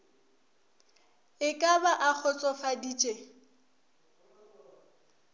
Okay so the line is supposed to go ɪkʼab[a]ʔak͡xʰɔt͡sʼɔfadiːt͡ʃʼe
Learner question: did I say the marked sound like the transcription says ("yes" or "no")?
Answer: yes